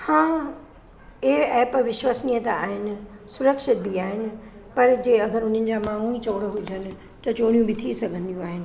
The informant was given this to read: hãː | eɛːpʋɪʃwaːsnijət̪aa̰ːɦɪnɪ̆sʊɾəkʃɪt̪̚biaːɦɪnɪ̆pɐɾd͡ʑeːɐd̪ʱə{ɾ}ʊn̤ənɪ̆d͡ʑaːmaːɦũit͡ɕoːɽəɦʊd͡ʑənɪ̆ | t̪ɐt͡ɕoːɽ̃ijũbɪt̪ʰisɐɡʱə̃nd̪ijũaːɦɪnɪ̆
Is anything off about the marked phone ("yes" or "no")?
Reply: no